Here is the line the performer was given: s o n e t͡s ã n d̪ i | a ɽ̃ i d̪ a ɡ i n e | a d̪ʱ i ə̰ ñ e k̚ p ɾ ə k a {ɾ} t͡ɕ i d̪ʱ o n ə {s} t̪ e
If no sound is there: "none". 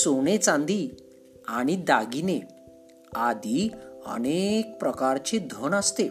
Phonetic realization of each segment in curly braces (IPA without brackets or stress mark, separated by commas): ɾ, s